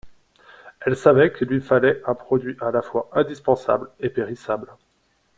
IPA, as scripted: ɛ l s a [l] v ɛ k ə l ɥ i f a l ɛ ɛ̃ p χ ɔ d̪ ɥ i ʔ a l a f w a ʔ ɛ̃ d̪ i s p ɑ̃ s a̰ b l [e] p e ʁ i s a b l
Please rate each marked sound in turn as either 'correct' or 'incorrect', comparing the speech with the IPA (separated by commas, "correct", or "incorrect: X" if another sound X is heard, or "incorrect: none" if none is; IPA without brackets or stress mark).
incorrect: none, correct